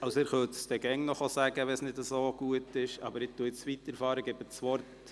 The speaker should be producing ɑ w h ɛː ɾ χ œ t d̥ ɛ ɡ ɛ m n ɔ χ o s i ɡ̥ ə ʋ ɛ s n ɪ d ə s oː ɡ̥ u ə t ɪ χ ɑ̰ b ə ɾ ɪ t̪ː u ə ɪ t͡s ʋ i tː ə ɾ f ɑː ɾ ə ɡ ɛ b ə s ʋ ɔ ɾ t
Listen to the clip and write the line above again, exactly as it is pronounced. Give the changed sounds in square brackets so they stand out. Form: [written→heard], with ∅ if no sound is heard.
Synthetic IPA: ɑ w [h→s] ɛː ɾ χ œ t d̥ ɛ ɡ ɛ [m→ŋ] n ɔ χ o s [i→æ] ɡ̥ ə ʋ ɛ s n ɪ d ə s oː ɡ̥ u ə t ɪ [χ→ʃ] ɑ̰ b ə ɾ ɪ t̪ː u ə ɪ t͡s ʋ i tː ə ɾ f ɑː ɾ ə ɡ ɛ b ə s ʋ ɔ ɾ t